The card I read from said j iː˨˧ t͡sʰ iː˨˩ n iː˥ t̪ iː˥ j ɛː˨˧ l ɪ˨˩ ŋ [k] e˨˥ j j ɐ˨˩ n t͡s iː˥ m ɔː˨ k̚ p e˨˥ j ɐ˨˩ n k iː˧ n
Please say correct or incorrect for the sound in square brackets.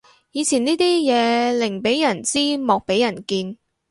incorrect